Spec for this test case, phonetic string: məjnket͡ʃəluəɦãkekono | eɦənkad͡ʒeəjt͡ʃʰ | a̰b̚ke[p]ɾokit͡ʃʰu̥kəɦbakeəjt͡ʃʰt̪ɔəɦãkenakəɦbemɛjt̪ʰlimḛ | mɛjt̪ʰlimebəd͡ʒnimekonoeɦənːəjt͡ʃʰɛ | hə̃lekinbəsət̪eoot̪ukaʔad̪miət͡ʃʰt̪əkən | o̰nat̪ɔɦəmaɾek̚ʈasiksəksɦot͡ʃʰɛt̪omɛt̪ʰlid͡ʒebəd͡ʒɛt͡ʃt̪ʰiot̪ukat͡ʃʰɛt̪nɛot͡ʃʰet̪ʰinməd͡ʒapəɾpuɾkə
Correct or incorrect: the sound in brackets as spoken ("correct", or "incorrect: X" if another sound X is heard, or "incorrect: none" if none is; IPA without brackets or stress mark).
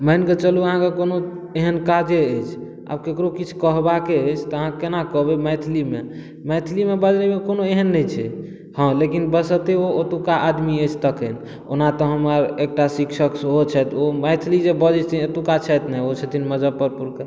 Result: incorrect: k